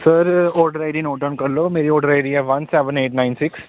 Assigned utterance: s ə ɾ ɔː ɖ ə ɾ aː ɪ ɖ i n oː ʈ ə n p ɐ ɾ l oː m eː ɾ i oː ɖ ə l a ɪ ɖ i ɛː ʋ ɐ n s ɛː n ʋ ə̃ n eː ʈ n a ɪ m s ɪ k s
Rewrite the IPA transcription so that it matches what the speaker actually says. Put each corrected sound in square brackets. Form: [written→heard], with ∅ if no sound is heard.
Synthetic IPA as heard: s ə ɾ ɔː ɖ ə ɾ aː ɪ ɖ i n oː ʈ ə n [p→k] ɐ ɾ l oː m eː ɾ i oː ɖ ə [l→ɾ] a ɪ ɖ i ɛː ʋ ɐ n s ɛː [n→∅] ʋ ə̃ n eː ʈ n a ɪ [m→n] s ɪ k s